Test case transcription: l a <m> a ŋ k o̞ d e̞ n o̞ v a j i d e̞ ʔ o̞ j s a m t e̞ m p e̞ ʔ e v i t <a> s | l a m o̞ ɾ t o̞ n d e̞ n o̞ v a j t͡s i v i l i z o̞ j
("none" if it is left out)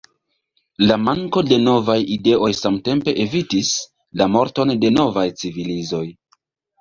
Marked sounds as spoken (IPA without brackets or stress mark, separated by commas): m, i